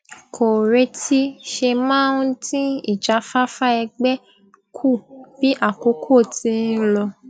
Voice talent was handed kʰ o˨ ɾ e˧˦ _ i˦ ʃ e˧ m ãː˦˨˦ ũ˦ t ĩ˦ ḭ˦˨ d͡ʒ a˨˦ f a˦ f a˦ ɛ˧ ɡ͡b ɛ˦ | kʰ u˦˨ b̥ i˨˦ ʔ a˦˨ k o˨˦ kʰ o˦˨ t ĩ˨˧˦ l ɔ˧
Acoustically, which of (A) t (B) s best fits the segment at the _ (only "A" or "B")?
A